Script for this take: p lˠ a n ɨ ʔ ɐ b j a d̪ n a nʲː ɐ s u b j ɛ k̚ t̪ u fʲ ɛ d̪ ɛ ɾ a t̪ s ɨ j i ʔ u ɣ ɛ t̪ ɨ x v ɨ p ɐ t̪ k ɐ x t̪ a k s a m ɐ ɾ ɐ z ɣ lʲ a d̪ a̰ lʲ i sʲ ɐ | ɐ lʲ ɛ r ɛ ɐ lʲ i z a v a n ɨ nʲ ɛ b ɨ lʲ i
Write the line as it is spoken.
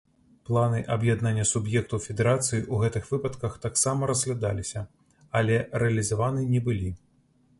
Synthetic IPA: p lˠ a n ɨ ʔ ɐ b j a d̪ n a nʲː ɐ s u b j ɛ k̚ t̪ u fʲ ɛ d̪ ɛ ɾ a t̪ s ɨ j i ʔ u ɣ ɛ t̪ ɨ x v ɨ p ɐ t̪ k ɐ x t̪ a k s a m ɐ ɾ ɐ z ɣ lʲ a d̪ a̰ lʲ i sʲ ɐ | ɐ lʲ ɛ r ɛ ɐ lʲ i z a v a n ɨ nʲ ɛ b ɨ lʲ i